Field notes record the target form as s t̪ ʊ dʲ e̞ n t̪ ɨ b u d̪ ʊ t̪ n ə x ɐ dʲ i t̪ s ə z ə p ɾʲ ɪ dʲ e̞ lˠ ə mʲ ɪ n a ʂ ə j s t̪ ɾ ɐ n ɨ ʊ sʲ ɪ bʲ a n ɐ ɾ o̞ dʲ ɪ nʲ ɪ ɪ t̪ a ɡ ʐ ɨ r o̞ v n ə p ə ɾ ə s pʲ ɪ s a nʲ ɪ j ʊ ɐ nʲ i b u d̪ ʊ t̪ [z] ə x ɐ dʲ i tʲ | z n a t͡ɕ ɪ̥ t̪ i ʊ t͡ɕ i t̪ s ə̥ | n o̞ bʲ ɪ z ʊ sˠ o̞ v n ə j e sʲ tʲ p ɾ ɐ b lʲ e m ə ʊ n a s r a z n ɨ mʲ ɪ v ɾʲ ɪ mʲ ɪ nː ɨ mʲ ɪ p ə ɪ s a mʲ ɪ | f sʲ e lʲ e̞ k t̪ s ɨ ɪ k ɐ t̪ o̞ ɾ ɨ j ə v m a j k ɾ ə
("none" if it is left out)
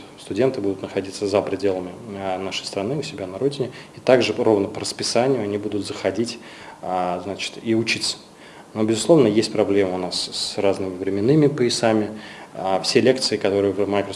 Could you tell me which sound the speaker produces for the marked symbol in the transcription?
z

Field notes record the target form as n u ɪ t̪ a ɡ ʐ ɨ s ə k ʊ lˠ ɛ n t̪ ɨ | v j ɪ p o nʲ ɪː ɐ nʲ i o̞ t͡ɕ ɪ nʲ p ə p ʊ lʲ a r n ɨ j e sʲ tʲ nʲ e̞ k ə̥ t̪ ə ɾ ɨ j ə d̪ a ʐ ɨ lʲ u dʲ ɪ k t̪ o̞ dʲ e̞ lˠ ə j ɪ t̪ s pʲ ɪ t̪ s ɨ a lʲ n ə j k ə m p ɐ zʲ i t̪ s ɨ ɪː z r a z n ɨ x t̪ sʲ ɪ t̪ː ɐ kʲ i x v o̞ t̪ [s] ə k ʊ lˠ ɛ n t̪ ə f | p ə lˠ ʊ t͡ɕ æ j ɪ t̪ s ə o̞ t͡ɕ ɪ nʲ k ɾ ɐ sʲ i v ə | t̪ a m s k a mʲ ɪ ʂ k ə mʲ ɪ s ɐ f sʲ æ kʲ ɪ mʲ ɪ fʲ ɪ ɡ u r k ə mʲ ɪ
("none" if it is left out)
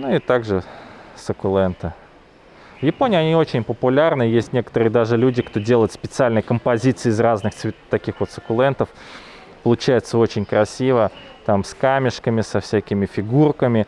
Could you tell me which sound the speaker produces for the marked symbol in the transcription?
s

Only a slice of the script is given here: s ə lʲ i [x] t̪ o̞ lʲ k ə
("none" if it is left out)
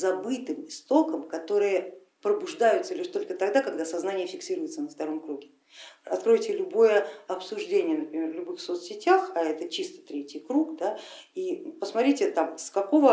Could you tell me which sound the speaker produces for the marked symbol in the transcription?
ʂ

